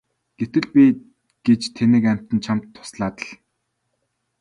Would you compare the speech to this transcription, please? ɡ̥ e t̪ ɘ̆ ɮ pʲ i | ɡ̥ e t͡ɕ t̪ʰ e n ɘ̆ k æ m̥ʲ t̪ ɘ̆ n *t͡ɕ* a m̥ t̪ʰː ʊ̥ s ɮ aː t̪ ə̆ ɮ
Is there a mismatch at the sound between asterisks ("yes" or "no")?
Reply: yes